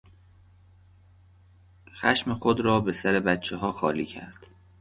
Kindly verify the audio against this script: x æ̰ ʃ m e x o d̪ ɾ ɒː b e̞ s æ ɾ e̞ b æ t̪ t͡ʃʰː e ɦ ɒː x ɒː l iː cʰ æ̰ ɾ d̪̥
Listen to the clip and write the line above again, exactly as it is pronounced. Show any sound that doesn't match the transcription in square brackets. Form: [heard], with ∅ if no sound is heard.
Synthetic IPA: x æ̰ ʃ m e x o d̪ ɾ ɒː b e̞ s æ ɾ e̞ b æ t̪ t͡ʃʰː e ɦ ɒː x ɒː l iː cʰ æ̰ ɾ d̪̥